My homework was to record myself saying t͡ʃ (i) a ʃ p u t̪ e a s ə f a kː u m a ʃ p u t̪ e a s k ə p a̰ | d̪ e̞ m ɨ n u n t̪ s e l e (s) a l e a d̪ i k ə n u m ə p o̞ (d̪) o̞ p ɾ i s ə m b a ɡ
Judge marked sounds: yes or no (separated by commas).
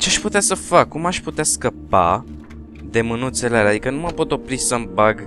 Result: no, no, no